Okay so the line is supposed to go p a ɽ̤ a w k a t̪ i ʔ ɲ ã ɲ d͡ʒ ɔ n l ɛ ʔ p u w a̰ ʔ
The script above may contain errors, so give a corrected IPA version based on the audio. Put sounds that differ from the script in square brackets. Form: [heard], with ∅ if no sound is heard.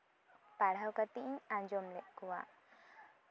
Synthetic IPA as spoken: p a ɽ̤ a w k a t̪ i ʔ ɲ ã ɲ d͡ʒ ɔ [m] l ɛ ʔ [k] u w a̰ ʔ